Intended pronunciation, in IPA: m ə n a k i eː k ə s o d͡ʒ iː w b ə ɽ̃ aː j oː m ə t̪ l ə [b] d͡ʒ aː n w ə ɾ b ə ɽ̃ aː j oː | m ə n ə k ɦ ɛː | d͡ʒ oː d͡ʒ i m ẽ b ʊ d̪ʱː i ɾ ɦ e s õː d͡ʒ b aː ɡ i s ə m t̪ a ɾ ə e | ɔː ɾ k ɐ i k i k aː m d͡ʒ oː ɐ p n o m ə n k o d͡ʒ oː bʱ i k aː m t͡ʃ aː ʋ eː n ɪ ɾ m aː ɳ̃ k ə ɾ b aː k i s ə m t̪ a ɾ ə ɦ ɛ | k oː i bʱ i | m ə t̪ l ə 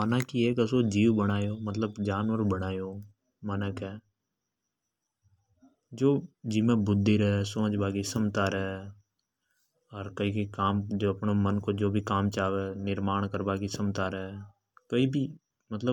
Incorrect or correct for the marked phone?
correct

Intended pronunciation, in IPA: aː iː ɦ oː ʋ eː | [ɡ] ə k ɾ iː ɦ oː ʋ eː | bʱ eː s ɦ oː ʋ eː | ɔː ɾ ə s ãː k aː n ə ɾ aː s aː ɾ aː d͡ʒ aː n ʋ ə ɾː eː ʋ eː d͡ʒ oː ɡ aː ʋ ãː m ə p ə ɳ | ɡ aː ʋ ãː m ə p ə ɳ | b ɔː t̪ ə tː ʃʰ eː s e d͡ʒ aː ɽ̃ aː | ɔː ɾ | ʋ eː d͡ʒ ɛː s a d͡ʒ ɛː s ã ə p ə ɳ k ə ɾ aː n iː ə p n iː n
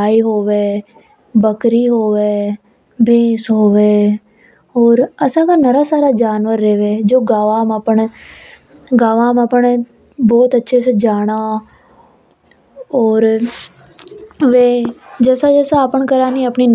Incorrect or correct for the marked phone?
incorrect: b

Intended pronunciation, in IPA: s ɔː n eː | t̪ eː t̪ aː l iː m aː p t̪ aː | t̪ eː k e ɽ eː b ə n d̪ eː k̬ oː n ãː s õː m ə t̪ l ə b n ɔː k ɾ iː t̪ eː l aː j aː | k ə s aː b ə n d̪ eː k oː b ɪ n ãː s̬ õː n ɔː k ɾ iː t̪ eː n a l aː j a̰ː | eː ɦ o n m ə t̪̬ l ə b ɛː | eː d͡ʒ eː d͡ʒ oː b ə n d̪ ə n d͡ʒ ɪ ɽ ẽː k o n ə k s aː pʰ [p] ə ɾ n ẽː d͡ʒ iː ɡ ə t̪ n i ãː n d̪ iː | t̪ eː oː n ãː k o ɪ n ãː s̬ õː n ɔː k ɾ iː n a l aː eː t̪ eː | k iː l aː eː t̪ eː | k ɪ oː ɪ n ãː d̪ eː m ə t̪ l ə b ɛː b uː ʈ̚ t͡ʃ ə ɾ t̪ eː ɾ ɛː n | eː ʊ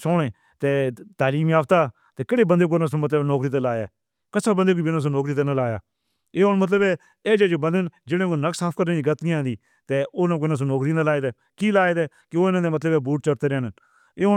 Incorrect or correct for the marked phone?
incorrect: k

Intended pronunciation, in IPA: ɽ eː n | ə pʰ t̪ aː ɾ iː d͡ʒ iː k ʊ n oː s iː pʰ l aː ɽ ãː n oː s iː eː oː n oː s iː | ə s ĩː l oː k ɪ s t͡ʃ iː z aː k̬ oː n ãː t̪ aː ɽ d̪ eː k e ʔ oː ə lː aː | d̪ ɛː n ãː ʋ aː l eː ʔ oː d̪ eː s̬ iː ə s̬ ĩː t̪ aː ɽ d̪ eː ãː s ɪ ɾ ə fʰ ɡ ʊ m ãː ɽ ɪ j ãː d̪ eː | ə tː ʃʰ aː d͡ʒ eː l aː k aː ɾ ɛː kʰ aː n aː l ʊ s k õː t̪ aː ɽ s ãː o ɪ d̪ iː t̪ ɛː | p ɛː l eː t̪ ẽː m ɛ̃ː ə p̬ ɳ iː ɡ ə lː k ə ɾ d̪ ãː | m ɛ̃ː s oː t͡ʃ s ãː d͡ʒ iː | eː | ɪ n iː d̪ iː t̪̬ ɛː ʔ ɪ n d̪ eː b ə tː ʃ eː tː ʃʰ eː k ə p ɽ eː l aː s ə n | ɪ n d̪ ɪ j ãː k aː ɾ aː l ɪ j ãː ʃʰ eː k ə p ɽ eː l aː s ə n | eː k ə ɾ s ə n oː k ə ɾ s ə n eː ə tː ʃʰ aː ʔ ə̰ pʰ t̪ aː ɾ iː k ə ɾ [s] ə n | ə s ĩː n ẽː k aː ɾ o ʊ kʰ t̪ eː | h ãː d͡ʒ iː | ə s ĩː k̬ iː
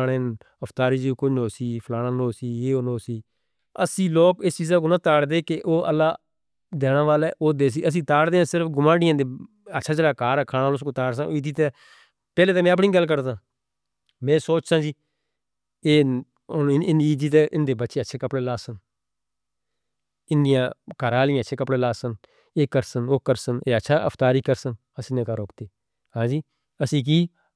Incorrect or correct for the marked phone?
correct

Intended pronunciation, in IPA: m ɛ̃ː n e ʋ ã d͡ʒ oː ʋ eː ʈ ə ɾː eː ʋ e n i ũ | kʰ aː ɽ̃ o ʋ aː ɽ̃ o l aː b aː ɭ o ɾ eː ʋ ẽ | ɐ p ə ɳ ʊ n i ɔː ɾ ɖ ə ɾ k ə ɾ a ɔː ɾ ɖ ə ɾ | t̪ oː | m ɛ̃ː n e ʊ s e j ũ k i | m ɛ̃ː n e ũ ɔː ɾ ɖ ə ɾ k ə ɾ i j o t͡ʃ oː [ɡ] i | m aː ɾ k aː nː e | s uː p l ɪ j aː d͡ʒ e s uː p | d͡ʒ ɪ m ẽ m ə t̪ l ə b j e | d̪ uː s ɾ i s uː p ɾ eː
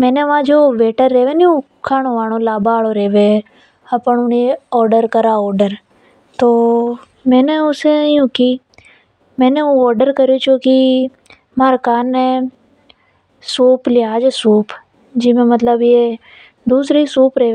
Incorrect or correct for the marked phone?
incorrect: k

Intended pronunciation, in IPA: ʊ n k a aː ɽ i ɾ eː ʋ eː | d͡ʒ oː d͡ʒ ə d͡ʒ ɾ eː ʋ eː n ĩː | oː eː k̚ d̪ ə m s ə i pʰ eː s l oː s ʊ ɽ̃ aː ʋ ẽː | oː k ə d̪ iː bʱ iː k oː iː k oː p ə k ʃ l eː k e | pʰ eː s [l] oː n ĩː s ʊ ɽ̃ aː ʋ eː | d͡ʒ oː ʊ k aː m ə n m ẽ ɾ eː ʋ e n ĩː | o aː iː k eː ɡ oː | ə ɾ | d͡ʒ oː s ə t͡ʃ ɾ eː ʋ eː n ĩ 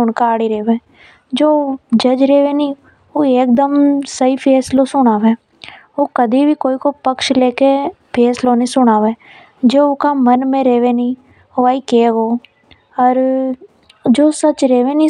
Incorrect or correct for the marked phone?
correct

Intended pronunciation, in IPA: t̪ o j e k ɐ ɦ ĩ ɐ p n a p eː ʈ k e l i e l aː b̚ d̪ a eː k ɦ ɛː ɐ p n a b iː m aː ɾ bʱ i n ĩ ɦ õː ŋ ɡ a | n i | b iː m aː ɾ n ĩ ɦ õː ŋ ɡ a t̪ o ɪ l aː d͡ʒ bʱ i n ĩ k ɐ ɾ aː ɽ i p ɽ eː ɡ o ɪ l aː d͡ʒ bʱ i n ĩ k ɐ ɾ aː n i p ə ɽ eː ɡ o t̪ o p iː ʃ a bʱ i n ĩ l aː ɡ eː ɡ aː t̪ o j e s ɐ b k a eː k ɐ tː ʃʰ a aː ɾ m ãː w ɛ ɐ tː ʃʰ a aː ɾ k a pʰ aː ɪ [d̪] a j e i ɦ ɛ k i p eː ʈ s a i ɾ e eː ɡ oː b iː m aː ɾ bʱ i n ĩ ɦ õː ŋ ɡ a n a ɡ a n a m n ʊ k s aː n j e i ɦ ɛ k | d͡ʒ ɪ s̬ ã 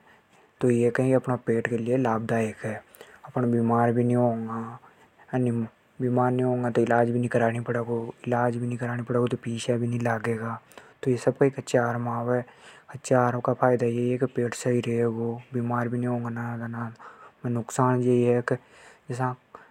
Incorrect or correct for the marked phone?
correct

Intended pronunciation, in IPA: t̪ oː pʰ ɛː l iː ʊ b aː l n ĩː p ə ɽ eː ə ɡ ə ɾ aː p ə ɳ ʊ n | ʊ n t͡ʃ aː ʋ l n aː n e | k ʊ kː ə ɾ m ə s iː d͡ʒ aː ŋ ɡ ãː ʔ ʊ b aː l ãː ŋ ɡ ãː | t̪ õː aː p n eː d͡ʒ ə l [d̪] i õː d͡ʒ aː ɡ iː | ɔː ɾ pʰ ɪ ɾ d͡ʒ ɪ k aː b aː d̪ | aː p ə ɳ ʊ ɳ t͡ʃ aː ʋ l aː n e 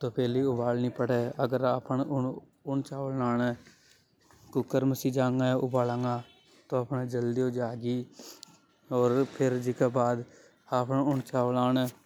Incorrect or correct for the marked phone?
correct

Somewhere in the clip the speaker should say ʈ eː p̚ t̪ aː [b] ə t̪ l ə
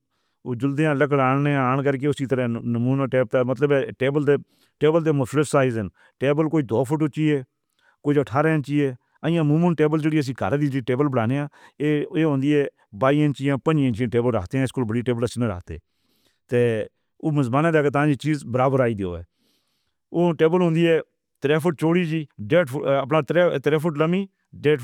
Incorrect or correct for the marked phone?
incorrect: m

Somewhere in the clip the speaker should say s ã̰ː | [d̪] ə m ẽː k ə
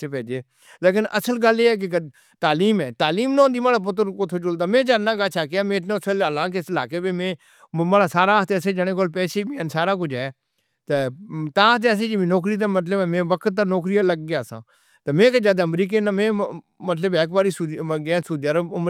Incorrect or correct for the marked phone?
incorrect: t̪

